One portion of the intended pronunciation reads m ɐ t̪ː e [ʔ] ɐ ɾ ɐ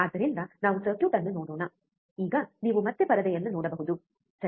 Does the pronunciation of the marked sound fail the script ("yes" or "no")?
yes